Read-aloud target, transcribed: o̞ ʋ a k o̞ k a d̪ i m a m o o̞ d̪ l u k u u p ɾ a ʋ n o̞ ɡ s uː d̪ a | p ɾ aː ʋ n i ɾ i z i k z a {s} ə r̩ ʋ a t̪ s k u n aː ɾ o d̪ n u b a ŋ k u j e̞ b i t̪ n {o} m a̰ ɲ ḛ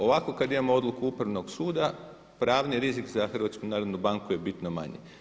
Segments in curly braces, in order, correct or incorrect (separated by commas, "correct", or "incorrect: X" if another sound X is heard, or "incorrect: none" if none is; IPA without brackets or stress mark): incorrect: x, correct